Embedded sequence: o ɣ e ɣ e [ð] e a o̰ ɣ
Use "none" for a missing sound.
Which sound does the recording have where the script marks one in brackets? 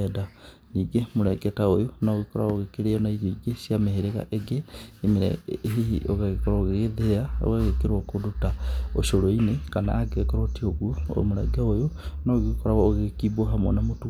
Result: ð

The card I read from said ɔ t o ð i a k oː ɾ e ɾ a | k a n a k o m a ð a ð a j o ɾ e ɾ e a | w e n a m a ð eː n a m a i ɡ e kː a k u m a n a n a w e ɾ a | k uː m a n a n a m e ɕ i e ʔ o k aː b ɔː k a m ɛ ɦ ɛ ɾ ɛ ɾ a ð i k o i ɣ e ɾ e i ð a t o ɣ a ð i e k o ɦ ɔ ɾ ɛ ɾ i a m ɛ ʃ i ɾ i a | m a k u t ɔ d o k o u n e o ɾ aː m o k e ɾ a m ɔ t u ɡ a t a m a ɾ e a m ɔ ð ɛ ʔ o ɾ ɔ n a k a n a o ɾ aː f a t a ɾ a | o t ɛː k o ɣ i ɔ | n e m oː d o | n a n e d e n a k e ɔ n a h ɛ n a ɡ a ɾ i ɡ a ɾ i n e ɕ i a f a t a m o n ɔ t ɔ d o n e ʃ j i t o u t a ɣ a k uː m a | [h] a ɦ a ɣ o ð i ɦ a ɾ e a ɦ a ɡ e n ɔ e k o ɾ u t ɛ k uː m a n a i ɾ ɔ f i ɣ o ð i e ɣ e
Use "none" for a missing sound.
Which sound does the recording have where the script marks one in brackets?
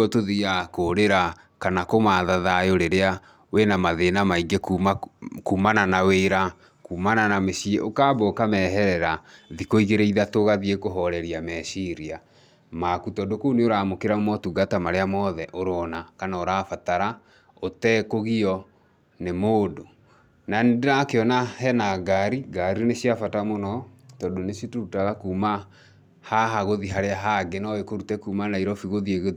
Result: h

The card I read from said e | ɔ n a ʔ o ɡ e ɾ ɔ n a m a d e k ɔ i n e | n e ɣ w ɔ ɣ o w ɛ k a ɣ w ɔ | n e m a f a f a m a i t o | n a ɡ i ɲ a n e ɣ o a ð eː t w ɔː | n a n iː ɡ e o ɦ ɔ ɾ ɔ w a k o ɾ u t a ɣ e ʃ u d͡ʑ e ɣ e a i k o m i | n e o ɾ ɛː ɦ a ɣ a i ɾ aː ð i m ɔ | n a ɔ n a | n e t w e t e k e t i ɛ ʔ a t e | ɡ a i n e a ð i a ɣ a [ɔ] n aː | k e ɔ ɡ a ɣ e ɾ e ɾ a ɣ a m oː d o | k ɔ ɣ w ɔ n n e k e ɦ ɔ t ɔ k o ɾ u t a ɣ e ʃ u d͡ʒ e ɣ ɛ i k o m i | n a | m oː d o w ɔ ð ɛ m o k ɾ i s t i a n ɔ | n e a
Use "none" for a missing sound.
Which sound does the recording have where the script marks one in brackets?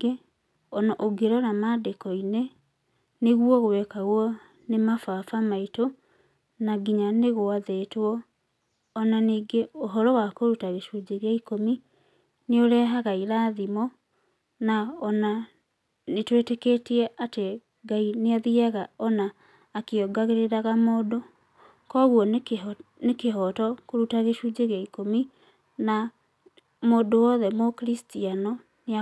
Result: ɔ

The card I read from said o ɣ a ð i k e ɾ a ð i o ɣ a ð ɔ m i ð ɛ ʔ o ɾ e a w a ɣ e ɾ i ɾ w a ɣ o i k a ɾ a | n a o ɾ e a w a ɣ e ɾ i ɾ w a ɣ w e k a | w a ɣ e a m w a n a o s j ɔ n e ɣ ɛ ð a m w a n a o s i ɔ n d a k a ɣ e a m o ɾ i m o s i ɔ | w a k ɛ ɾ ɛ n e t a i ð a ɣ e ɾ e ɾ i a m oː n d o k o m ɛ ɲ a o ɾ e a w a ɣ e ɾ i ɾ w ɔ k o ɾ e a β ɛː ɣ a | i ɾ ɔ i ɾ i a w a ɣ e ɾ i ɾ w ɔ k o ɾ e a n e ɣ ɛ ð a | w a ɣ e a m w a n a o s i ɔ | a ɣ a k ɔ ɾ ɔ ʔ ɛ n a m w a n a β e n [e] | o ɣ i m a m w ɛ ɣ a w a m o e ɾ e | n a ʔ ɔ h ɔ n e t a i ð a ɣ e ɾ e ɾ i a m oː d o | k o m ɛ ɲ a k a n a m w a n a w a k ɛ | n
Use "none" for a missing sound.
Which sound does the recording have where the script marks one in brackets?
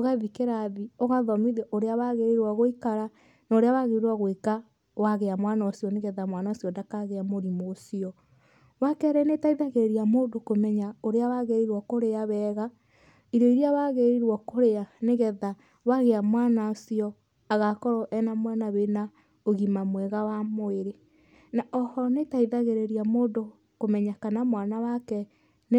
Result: a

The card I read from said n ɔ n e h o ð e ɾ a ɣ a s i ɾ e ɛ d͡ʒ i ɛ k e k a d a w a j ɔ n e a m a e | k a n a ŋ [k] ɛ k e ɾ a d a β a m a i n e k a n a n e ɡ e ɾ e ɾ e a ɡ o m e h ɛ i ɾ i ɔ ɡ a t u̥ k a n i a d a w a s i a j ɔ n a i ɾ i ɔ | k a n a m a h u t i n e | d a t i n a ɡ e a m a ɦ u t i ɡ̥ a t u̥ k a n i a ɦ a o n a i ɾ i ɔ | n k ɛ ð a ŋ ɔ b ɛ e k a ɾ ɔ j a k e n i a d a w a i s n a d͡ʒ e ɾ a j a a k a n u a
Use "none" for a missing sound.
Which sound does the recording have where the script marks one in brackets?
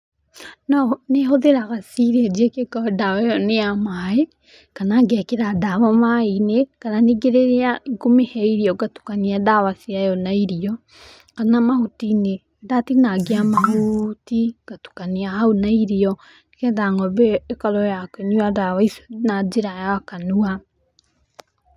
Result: ɡ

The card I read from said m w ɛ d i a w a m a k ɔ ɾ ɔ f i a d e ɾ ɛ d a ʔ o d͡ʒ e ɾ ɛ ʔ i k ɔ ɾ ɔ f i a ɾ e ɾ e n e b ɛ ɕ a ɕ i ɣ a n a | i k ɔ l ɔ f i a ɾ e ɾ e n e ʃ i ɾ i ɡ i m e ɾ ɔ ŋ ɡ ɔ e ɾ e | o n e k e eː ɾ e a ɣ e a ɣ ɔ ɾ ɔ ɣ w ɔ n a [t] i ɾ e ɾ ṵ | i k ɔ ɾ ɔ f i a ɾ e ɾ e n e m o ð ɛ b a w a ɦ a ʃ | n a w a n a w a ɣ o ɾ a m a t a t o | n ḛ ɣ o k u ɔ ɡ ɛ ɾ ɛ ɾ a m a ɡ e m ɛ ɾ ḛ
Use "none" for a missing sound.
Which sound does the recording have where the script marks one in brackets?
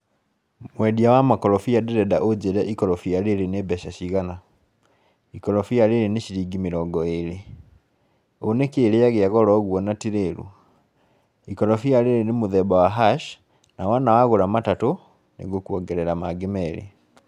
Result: t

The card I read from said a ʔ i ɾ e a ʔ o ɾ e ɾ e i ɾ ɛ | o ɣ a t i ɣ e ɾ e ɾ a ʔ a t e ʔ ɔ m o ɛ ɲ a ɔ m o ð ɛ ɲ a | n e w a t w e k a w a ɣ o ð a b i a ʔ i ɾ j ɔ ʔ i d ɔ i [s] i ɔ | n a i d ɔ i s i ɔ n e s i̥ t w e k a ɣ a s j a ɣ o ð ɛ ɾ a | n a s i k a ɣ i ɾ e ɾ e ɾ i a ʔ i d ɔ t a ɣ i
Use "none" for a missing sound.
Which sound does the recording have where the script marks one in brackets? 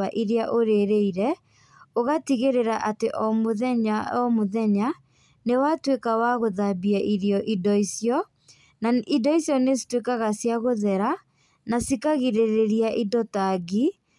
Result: s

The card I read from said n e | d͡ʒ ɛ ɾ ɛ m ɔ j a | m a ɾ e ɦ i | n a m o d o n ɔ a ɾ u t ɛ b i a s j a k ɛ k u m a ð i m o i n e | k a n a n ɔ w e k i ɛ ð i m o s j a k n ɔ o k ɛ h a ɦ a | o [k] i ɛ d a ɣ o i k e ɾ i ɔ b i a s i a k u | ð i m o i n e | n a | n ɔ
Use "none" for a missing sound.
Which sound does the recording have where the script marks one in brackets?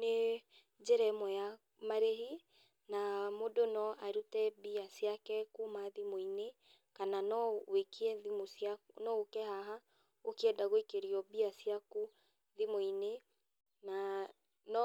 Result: k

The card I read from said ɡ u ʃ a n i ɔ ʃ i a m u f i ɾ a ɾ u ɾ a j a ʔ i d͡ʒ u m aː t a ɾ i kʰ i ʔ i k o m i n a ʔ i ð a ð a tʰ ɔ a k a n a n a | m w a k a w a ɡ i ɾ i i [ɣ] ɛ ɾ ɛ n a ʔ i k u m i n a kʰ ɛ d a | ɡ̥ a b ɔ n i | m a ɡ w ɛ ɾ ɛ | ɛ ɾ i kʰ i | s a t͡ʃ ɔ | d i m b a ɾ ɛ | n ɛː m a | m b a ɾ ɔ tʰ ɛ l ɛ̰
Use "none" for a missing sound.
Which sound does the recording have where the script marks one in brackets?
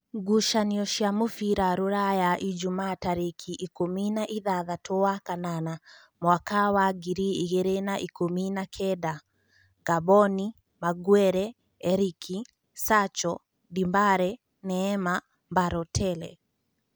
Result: ɣ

